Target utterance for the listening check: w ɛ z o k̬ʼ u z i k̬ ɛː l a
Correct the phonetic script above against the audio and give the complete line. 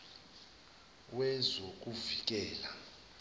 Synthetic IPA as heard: w ɛ z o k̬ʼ u v i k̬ ɛː l a